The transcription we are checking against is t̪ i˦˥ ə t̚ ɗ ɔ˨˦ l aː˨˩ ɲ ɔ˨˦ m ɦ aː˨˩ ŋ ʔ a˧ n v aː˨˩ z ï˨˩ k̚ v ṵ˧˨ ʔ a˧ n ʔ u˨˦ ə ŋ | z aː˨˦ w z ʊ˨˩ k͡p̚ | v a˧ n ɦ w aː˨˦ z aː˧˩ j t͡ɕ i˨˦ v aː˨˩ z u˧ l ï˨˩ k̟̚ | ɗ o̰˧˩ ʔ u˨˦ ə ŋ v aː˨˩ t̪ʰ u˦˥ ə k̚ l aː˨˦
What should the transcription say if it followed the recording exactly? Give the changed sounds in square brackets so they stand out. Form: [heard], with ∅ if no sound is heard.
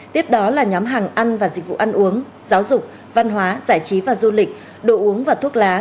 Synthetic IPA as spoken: t̪ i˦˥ ə [p̚] ɗ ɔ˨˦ l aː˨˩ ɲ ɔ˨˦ m ɦ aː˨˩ ŋ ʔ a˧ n v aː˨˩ z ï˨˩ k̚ v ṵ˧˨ ʔ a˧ n ʔ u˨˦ ə ŋ | z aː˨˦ w z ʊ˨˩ k͡p̚ | v a˧ n ɦ w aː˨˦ z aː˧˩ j t͡ɕ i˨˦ v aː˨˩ z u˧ l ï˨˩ k̟̚ | ɗ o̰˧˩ ʔ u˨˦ ə ŋ v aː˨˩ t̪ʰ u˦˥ ə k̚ l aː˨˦